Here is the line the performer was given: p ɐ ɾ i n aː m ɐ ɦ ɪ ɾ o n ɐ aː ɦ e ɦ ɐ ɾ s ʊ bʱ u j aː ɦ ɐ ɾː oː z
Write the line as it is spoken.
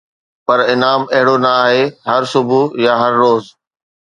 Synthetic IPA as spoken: p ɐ ɾ ɪ n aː m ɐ ɦ ɪ ɽ o n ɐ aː ɦ e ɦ ɐ ɾ s ʊ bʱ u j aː ɦ ɐ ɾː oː z